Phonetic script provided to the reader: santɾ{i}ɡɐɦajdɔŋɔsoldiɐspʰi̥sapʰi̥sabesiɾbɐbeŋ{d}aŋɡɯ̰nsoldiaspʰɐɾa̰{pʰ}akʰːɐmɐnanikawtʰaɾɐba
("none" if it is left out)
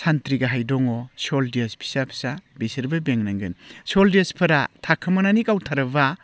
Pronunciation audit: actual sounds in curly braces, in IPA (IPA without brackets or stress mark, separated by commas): i, n, tʰ